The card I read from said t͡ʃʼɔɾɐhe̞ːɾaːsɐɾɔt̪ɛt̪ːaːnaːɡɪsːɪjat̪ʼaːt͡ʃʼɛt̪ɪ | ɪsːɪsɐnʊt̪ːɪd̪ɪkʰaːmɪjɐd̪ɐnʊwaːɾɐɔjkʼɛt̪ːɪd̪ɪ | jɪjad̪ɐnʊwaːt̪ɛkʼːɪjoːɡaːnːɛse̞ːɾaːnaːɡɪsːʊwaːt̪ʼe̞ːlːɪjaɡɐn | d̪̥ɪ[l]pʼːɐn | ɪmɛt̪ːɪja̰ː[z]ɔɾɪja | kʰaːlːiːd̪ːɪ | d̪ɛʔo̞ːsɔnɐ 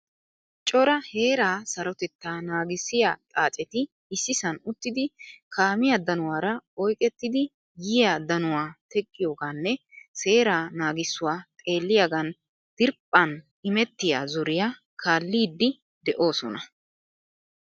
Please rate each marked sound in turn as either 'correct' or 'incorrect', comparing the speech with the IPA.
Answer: incorrect: ɾ, correct

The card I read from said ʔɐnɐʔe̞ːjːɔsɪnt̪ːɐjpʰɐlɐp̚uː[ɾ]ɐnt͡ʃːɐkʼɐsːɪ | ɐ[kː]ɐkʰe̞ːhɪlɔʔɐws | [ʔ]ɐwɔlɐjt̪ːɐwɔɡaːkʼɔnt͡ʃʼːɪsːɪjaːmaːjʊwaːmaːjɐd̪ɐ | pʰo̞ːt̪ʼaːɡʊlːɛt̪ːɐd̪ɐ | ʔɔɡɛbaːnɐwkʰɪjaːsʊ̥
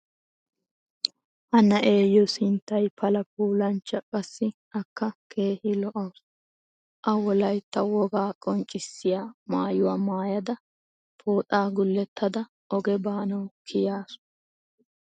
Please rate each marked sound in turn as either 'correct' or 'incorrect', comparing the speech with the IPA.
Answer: incorrect: l, correct, correct

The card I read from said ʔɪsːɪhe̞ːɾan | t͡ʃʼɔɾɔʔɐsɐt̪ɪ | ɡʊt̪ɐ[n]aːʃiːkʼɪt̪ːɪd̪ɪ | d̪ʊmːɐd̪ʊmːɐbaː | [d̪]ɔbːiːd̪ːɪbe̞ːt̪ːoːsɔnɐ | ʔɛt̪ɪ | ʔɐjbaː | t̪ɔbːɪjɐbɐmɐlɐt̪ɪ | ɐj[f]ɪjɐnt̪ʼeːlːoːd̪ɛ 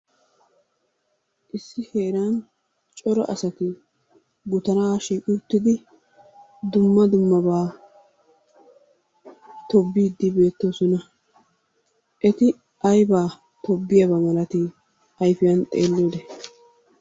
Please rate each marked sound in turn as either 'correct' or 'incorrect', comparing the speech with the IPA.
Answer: correct, incorrect: t̪, correct

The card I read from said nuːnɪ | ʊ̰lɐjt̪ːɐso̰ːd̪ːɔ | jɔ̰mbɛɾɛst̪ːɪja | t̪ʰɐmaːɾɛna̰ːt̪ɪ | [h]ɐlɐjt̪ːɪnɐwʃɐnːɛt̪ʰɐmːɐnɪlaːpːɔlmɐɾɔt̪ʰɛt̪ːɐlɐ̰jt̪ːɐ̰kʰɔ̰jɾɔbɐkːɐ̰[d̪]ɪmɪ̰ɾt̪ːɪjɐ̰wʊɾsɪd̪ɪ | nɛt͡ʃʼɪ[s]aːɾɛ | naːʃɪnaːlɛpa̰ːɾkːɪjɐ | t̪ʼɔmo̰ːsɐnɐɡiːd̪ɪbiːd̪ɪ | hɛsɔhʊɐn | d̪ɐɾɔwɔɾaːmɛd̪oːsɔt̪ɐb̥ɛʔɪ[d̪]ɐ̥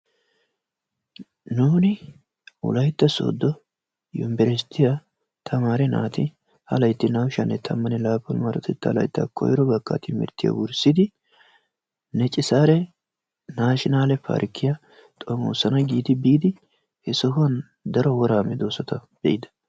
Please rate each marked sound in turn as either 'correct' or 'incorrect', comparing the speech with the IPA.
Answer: correct, incorrect: t̪, correct, correct

